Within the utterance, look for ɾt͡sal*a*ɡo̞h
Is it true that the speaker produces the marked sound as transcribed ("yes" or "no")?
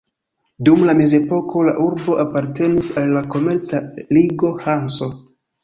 no